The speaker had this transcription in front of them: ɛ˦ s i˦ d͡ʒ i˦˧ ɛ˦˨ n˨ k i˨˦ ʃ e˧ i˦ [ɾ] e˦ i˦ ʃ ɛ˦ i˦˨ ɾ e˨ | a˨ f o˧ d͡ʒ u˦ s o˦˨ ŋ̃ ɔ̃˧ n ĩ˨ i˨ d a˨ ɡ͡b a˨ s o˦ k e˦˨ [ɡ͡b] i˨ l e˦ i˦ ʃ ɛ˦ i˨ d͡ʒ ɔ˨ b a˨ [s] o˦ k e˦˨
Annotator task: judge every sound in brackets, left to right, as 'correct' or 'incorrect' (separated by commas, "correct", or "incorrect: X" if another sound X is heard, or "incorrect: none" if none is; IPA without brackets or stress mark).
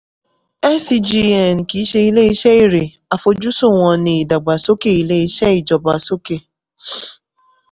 incorrect: l, incorrect: none, correct